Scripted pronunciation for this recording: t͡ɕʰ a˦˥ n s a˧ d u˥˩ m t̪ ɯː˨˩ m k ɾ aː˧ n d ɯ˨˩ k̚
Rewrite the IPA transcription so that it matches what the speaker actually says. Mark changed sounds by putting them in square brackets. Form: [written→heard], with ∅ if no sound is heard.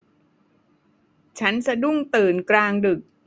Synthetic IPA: t͡ɕʰ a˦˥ n s a˧ d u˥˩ [m→ŋ] t̪ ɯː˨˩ [m→n] k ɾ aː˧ [n→ŋ] d ɯ˨˩ k̚

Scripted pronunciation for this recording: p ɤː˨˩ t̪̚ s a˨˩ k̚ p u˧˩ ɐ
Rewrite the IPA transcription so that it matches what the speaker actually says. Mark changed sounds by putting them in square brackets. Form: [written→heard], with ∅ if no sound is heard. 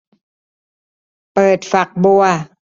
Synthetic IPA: p ɤː˨˩ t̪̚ [s→f] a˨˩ k̚ [p→b] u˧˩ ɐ

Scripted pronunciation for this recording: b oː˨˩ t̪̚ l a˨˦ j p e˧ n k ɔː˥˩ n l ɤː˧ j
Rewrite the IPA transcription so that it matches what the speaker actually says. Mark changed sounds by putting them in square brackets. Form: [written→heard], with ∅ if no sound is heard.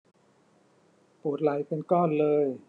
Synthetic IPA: [b→p] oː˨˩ t̪̚ l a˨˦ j p e˧ n k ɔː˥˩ n l ɤː˧ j

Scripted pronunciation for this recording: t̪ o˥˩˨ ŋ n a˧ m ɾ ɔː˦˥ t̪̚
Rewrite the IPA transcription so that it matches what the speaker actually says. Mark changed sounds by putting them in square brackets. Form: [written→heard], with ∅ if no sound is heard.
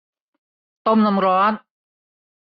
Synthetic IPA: t̪ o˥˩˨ [ŋ→m] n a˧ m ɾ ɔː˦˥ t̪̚

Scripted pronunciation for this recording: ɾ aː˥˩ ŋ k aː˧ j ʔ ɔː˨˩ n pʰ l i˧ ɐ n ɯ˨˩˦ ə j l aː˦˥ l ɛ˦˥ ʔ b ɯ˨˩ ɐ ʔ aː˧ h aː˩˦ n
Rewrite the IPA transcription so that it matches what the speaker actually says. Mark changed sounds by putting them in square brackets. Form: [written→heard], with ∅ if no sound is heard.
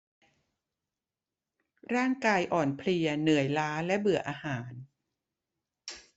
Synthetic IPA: ɾ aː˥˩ ŋ k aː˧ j ʔ ɔː˨˩ n pʰ l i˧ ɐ n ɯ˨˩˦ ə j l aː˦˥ l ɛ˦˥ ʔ b ɯ˨˩ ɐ ʔ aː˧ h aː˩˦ n

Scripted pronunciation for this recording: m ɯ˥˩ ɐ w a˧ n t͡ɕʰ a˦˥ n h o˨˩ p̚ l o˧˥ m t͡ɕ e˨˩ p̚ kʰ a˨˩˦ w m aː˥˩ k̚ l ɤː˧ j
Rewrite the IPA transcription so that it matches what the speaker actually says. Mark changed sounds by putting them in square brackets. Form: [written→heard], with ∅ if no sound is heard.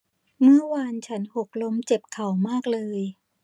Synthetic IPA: m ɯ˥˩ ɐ w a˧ n t͡ɕʰ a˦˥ n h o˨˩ [p̚→k̚] l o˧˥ m t͡ɕ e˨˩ p̚ kʰ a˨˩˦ w m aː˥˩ k̚ l ɤː˧ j

